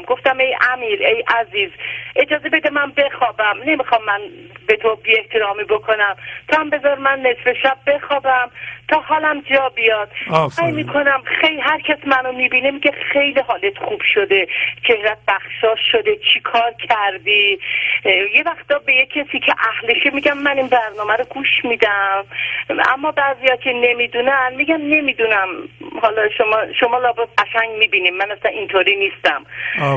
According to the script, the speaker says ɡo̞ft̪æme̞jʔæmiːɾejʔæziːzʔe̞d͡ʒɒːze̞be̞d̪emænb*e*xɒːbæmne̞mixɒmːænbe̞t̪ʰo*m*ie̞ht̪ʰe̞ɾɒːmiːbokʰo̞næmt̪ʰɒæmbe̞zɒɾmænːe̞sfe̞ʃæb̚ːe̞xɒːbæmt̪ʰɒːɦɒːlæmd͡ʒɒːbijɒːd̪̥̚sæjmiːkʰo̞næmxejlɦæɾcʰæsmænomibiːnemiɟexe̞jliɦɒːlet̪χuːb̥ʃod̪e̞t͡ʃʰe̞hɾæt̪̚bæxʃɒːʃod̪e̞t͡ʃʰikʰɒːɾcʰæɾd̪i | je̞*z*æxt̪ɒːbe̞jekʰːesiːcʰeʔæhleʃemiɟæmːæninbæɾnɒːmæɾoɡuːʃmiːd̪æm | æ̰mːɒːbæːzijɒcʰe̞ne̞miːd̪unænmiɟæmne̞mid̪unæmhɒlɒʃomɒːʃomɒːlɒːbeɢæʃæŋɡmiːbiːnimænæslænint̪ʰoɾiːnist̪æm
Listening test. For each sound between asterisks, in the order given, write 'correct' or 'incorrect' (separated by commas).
correct, incorrect, incorrect